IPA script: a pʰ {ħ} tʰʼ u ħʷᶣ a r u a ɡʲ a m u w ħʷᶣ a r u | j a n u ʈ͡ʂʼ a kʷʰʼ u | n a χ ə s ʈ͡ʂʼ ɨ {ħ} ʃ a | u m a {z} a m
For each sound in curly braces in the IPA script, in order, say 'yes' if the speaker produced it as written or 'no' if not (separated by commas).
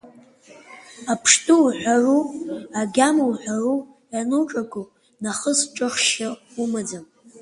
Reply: no, no, no